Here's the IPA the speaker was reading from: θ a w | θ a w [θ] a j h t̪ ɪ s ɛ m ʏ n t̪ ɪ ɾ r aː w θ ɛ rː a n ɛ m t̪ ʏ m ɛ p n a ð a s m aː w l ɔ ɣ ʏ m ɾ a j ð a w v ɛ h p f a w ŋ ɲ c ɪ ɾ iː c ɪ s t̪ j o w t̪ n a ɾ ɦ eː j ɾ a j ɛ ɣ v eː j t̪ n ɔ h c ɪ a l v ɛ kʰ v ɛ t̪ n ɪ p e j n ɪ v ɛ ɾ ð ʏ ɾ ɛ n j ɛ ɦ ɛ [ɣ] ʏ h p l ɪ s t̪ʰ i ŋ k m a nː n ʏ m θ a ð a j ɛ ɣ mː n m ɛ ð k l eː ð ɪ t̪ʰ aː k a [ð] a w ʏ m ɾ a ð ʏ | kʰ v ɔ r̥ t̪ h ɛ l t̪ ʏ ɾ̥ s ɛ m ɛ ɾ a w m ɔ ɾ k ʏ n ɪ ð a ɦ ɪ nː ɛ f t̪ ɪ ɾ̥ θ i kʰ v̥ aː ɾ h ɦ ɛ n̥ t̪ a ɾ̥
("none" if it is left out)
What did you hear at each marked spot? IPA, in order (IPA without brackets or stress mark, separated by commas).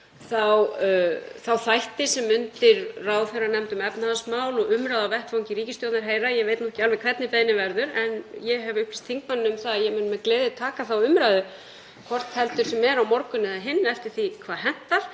θ, v, θ